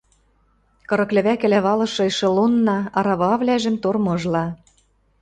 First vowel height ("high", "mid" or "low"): mid